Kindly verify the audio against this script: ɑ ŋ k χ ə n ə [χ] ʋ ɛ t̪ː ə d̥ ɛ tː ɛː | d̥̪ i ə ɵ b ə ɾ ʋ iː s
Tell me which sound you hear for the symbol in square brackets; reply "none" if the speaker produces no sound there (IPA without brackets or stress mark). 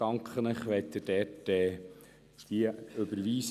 χ